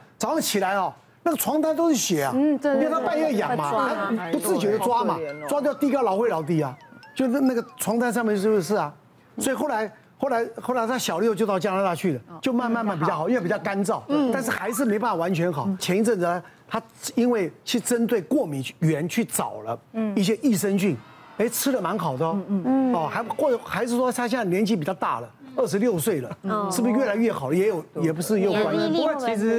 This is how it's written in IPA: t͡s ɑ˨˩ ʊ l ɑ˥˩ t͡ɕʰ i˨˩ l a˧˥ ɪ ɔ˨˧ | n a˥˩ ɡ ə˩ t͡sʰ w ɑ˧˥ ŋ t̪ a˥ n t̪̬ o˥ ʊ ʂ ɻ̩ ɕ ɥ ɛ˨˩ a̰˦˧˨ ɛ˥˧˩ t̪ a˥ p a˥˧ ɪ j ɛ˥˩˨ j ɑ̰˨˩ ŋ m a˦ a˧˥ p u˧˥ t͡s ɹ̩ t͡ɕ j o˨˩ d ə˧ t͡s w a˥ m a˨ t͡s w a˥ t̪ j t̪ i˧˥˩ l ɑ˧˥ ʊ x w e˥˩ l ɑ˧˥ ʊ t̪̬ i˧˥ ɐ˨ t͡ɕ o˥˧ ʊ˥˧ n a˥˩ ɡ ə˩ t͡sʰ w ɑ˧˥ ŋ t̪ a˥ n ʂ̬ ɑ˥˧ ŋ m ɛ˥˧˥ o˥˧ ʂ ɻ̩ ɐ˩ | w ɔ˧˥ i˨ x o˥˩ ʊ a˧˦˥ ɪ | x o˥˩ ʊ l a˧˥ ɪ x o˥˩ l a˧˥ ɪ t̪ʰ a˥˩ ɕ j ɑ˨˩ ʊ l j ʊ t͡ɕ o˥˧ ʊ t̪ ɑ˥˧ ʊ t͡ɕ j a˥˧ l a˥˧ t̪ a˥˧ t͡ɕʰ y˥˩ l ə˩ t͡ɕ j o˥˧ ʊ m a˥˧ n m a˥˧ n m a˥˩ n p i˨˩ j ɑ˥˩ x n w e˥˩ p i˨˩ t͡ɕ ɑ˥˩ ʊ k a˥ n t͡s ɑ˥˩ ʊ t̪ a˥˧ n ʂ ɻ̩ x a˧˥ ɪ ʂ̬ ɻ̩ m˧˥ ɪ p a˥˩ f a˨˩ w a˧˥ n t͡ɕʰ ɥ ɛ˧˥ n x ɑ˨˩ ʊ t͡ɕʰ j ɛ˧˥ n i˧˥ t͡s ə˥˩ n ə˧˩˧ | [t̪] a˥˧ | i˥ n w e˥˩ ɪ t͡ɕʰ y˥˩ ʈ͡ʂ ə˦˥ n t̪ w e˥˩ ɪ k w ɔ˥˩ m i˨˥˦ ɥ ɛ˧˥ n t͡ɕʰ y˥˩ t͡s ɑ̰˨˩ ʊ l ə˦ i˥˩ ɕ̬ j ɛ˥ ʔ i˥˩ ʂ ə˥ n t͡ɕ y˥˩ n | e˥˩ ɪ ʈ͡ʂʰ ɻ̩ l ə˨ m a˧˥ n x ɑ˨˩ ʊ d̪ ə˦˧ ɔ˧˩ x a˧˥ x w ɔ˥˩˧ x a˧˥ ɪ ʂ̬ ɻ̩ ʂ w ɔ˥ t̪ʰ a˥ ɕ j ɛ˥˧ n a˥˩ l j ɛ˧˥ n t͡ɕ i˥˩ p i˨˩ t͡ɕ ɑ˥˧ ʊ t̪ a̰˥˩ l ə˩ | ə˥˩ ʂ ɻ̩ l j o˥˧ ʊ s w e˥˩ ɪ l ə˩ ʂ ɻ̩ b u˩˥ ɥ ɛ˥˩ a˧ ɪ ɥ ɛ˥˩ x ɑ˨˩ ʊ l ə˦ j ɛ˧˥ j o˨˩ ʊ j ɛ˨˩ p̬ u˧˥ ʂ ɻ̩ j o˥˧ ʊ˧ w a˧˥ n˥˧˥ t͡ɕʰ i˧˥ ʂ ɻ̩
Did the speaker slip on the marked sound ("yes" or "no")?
yes